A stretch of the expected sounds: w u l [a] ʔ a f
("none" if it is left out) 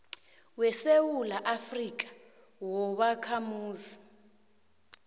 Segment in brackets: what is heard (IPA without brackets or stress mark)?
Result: a